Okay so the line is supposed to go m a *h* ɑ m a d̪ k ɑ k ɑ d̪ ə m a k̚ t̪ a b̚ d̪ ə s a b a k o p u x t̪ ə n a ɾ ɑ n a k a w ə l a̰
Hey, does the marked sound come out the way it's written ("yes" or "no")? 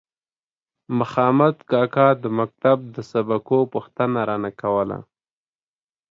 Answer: no